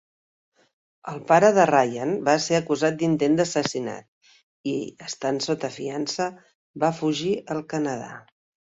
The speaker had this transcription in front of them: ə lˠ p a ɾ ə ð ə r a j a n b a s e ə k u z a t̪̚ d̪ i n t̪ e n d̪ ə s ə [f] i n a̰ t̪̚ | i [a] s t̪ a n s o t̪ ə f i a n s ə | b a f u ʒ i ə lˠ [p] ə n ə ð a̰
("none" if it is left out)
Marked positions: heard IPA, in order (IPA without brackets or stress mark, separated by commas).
s, ə, k